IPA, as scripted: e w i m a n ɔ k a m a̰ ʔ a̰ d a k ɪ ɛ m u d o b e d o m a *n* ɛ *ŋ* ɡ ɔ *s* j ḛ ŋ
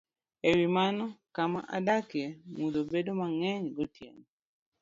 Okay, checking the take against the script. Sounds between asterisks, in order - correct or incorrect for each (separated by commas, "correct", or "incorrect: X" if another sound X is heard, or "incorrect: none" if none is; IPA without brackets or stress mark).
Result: incorrect: ŋ, incorrect: ɲ, incorrect: t